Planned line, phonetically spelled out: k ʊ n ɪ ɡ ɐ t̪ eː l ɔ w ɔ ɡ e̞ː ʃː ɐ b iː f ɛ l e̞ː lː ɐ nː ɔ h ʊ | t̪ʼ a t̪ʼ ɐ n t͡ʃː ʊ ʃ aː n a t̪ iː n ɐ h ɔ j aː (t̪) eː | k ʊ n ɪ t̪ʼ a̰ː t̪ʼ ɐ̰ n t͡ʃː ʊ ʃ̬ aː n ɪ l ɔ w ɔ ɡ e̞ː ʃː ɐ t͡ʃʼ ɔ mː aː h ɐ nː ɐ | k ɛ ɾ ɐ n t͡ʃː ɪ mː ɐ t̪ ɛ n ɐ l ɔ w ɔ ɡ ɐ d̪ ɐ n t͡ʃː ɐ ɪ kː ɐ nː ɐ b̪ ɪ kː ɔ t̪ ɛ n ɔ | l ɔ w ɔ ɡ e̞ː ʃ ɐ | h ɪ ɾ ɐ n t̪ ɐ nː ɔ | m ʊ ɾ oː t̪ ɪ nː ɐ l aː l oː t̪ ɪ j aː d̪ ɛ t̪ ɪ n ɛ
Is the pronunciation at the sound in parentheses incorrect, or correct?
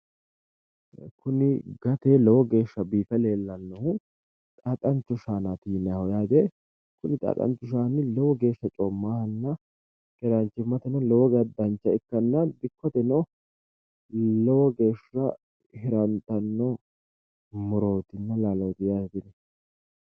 incorrect